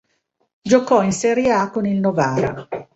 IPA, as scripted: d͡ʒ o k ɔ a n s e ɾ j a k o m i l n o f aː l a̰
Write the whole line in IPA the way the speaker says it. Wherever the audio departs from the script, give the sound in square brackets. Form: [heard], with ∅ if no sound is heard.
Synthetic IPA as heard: d͡ʒ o k ɔ [i] n s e ɾ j a k o [n] i l n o [v] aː [ɾ] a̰